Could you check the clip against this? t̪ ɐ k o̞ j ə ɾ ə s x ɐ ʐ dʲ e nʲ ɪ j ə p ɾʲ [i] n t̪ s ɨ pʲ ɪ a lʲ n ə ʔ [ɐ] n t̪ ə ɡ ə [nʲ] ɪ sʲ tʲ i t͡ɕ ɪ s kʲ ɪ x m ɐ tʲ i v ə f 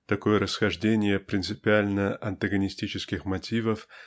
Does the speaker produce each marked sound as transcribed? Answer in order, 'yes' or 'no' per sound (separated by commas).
no, yes, yes